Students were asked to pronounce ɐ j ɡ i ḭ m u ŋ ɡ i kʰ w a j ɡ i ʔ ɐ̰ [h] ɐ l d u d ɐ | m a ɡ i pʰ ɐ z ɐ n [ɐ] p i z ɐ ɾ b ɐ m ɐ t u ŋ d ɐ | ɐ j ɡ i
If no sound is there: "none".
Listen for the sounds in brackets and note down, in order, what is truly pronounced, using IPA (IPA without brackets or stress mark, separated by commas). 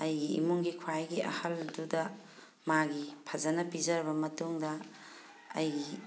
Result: h, ɐ